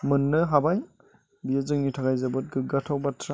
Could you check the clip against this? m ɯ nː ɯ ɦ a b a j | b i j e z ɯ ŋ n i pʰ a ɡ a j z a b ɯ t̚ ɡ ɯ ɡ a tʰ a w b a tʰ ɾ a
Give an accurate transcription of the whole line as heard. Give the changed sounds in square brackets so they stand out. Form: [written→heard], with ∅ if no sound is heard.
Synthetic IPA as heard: m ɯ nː ɯ ɦ a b a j | b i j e z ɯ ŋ n i [pʰ→tʰ] a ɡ a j z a b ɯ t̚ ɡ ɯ ɡ a tʰ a w b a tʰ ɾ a